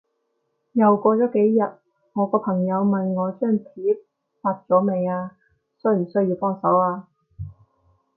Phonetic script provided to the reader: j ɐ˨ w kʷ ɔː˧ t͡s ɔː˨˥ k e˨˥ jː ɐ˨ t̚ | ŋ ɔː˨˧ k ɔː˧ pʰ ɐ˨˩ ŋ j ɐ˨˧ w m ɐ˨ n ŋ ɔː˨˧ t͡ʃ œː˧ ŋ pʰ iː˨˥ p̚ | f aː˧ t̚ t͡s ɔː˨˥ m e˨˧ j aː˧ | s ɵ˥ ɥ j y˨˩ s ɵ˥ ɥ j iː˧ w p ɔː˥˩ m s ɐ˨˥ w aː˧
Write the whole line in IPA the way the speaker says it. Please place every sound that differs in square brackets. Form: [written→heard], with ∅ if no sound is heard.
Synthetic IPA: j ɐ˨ w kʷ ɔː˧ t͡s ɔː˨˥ k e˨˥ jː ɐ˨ t̚ | ŋ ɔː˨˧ k ɔː˧ pʰ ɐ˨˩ ŋ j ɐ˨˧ w m ɐ˨ n ŋ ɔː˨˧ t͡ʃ [œː˧→œː˥˩] ŋ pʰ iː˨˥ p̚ | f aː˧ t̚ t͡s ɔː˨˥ m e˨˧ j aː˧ | s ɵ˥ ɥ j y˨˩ s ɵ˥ ɥ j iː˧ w p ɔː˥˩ [m→ŋ] s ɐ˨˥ w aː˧

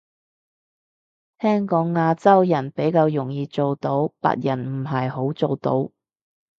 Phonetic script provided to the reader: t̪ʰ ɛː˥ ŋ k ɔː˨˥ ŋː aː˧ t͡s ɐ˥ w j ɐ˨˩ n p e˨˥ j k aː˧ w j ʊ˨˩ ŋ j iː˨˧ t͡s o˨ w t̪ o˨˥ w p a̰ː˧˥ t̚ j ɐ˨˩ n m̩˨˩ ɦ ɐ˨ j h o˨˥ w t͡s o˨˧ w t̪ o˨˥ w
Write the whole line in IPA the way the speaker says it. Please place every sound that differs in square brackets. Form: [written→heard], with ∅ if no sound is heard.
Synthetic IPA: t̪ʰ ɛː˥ ŋ k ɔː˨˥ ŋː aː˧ t͡s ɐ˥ w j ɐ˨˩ n p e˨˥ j k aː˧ w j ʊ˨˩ ŋ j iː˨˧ t͡s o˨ w t̪ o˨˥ w p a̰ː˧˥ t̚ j ɐ˨˩ n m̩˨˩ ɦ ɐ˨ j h o˨˥ w t͡s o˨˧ w t̪ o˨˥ w

